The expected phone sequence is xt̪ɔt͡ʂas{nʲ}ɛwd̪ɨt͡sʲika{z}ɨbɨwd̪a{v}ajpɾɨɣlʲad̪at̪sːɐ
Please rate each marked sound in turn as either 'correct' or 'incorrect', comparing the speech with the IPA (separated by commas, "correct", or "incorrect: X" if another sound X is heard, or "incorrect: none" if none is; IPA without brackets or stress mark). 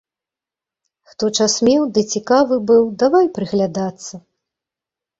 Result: incorrect: mʲ, incorrect: v, correct